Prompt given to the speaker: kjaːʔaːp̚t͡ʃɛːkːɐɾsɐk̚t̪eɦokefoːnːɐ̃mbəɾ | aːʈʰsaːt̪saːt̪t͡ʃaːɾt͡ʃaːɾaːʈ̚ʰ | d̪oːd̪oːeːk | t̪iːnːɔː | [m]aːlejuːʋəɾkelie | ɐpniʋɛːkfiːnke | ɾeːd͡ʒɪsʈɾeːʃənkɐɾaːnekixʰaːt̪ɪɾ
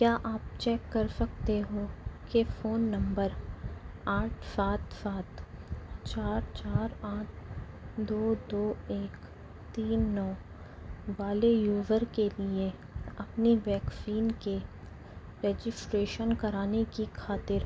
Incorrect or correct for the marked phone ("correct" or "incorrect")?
incorrect